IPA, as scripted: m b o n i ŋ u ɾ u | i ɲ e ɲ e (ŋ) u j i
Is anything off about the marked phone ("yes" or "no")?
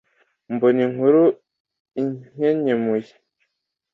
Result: yes